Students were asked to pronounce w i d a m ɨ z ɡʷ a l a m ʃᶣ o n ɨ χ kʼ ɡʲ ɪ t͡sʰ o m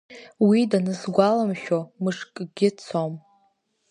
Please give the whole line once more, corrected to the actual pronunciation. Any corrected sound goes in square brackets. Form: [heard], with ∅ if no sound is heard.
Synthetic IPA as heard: w i d a [n] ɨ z ɡʷ a l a m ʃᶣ o [m] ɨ [ʂ] kʼ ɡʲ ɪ t͡sʰ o m